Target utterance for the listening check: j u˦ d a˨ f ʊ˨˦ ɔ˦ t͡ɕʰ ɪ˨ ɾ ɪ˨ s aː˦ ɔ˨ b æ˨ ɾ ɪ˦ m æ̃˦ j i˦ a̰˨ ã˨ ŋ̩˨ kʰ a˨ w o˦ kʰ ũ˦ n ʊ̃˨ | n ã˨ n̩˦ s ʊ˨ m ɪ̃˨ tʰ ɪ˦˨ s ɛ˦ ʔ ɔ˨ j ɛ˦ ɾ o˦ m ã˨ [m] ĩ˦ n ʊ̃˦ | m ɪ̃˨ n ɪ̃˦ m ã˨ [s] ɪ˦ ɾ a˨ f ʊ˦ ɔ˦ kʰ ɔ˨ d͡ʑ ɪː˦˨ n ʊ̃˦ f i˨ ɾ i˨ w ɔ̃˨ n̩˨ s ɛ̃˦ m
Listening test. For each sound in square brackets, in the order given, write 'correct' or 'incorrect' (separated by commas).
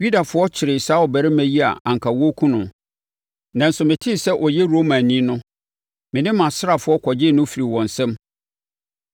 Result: incorrect, correct